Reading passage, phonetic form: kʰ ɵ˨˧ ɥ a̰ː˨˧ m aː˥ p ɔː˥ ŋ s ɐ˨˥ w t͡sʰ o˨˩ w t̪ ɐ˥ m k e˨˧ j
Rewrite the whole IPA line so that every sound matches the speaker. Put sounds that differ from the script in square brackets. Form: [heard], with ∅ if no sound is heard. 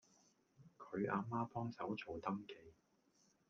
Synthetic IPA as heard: kʰ ɵ˨˧ ɥ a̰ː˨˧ m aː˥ p ɔː˥ ŋ s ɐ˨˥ w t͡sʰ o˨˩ w t̪ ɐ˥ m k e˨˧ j